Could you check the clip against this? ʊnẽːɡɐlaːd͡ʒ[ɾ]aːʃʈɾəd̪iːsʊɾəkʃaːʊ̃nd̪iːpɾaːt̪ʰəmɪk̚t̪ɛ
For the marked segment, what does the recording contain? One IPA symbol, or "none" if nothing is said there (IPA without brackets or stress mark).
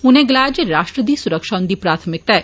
ɾ